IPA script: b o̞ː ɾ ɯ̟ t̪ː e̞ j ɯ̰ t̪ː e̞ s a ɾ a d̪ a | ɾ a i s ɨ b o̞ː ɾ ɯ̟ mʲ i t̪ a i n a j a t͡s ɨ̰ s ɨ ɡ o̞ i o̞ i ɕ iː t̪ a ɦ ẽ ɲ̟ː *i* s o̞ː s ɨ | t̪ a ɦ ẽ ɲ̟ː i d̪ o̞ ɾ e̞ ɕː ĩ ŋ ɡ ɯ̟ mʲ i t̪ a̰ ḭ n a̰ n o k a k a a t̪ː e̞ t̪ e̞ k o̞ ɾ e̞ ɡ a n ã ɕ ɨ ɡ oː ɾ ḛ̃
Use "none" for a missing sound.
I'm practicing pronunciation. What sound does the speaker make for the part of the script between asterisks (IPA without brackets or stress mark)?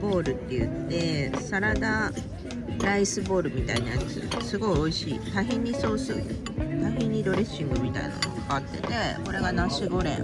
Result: i